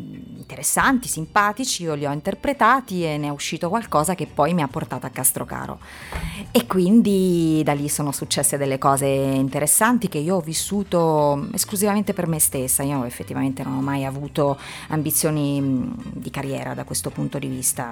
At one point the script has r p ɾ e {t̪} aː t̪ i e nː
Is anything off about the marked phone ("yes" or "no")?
no